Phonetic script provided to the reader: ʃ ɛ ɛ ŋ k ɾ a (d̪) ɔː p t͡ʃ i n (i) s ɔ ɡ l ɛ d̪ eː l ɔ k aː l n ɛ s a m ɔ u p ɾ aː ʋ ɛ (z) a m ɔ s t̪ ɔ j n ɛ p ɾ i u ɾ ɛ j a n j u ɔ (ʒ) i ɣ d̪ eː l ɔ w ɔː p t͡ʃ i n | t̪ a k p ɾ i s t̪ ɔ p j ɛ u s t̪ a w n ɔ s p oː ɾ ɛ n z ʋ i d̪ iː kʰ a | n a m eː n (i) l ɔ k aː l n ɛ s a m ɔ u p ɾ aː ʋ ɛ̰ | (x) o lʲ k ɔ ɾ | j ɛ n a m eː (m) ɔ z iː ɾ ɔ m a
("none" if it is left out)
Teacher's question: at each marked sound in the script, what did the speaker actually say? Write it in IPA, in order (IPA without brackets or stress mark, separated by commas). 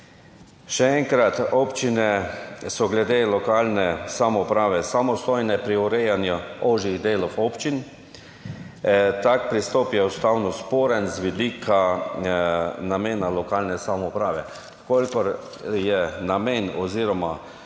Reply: t̪, ɛ, s, ʒ, a, k, n